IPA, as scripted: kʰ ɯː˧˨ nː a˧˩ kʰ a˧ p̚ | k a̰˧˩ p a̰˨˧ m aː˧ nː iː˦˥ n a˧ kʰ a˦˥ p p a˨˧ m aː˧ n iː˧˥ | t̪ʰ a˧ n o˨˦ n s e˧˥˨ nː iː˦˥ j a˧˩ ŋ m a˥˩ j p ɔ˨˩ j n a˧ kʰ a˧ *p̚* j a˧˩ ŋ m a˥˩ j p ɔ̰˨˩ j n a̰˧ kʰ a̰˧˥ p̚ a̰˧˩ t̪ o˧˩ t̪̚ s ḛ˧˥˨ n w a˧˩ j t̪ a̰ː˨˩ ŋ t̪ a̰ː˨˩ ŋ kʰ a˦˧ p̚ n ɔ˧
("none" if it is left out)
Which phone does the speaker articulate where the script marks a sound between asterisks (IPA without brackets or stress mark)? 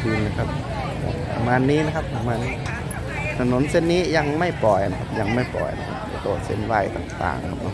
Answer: p̚